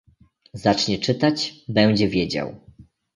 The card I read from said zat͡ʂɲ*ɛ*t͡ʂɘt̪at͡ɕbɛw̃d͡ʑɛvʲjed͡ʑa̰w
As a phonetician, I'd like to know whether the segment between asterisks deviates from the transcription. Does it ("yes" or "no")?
no